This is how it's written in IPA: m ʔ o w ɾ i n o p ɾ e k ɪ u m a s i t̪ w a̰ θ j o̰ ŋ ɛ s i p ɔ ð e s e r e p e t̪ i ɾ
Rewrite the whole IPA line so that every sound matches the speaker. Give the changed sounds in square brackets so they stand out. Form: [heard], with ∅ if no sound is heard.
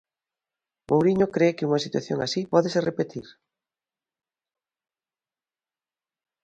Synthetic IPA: m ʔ o w ɾ i [ɲ] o [k] ɾ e k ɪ u [ŋ] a s i t̪ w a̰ θ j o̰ ŋ [a] s i p ɔ ð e s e r e p e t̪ i ɾ